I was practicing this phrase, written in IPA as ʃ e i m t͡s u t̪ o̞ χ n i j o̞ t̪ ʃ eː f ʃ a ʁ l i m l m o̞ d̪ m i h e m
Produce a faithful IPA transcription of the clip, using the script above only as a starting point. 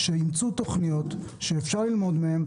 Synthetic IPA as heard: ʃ e i m t͡s u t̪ o̞ χ n i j o̞ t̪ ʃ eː f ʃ a ʁ l i l m o̞ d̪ m e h e m